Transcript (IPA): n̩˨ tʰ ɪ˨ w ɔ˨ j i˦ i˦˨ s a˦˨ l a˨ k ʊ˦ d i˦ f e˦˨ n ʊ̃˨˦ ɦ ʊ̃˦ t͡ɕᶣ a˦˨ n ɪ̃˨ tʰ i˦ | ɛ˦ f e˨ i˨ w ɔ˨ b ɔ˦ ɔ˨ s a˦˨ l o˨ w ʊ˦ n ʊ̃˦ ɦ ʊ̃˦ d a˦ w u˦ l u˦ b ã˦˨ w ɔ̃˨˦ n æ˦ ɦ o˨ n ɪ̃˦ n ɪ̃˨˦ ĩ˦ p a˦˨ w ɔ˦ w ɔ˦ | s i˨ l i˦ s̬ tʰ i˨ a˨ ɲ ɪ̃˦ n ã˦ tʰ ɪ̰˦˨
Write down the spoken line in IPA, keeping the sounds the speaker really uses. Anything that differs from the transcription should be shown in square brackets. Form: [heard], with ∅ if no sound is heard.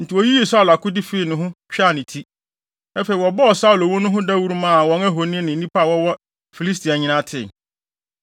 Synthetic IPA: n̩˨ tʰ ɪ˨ w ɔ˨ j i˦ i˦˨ s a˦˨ l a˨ k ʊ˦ d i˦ f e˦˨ n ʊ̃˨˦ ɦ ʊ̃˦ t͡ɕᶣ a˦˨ n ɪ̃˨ tʰ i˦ | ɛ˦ f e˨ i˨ w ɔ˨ b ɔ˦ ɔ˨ s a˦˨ l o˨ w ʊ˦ n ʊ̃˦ ɦ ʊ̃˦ d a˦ w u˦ [ɾ] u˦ [m] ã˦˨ w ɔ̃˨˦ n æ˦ ɦ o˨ n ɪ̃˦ n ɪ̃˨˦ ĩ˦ p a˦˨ w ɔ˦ w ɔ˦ | [f] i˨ l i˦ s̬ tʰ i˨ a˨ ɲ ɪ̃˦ n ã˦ tʰ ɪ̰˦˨